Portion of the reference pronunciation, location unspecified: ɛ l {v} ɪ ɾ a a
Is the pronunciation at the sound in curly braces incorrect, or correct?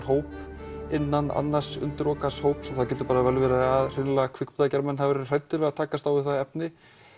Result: correct